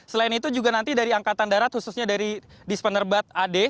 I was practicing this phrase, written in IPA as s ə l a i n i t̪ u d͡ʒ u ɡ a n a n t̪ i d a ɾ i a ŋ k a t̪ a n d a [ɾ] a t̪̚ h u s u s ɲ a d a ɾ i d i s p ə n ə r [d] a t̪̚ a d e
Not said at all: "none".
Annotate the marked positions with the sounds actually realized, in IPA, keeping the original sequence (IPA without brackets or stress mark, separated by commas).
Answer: ɾ, b